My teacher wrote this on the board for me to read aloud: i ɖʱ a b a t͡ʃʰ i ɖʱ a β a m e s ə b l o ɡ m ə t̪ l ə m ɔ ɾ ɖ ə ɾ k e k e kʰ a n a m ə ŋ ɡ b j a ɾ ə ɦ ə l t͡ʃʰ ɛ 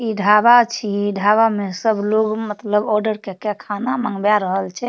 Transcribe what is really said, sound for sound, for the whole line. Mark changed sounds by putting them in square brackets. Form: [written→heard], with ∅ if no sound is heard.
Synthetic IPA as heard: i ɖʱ a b a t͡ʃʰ i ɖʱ a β a m e s ə b l o ɡ m ə t̪ l ə [m→b] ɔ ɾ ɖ ə ɾ k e k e kʰ a n a m ə ŋ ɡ b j a ɾ ə ɦ ə l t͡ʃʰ ɛ